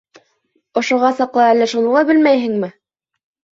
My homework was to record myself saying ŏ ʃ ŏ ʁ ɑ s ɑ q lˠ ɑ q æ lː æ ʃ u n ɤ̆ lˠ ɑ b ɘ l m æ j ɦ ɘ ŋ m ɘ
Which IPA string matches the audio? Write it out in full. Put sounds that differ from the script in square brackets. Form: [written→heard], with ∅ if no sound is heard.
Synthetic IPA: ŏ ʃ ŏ ʁ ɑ s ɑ q lˠ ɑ [q→∅] æ lː æ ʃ u n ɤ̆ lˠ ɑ b ɘ l m æ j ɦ ɘ ŋ m ɘ